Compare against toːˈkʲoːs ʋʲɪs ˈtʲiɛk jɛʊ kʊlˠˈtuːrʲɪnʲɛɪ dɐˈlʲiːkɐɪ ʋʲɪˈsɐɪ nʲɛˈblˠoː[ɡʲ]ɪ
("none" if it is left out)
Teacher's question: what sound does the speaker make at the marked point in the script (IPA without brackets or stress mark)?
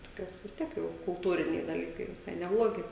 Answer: ɡʲ